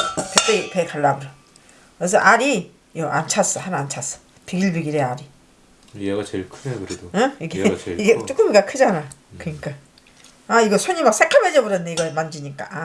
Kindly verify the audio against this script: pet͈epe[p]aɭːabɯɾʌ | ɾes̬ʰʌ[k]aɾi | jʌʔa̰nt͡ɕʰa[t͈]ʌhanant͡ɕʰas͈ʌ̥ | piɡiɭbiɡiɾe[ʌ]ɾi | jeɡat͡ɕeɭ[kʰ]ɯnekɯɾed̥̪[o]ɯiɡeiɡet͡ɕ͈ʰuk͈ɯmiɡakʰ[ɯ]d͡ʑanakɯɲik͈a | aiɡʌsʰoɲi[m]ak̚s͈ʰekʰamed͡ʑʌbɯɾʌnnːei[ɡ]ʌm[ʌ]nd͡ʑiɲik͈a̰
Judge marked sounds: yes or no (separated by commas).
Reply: no, no, no, no, yes, yes, yes, yes, yes, no